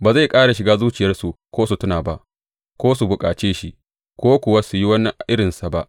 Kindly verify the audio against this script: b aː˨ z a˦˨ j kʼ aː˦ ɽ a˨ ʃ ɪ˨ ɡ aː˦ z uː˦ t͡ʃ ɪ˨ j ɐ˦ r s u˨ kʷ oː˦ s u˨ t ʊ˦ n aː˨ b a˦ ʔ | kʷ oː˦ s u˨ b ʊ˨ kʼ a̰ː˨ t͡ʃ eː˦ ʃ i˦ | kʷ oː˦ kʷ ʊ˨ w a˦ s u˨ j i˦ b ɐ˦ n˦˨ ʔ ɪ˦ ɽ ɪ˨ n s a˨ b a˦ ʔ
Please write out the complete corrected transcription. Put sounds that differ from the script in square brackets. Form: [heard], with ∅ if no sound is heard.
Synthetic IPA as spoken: b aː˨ z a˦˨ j kʼ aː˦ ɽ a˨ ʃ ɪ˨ ɡ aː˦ z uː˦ t͡ʃ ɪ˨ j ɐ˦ r s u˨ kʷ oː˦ s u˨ t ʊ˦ n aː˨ b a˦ ʔ | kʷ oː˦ s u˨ b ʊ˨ kʼ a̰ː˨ t͡ʃ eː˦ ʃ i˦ | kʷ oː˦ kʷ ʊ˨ w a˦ s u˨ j i˦ [w] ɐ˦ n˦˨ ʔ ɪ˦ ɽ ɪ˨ n s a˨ b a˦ ʔ